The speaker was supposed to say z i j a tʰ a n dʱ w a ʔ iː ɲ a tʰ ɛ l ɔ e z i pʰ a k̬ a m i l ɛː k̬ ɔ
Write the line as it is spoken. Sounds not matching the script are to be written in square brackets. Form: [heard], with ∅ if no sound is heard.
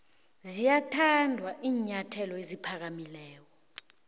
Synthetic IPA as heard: z i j a tʰ a n dʱ w a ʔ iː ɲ a tʰ ɛ l ɔ e z i pʰ a k̬ a m i l ɛː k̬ ɔ